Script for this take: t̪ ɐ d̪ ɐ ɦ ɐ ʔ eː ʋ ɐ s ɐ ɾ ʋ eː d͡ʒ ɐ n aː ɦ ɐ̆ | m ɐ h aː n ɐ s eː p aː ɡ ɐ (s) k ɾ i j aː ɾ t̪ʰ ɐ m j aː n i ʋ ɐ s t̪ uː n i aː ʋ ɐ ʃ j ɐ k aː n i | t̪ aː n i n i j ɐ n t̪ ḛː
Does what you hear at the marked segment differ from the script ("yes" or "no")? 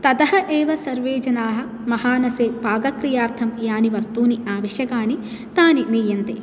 yes